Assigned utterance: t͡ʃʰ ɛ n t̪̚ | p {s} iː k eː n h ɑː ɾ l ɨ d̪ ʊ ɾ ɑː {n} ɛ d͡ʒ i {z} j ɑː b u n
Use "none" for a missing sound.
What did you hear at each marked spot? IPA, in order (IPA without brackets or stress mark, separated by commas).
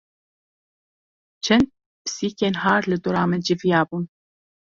s, m, v